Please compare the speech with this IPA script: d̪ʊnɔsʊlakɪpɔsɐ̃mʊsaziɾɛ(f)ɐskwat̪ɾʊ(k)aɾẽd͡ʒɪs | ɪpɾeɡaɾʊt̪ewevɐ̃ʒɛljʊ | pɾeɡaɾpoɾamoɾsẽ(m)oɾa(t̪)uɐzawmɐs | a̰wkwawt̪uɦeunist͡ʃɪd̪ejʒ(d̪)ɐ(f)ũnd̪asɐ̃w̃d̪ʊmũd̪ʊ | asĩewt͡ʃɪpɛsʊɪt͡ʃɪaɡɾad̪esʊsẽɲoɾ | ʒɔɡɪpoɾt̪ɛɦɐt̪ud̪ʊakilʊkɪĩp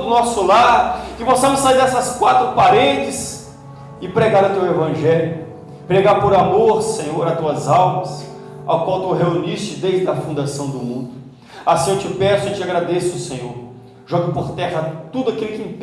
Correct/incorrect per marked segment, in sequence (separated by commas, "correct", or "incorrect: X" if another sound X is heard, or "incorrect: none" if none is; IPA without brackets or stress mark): incorrect: s, incorrect: p, incorrect: ɲ, correct, correct, correct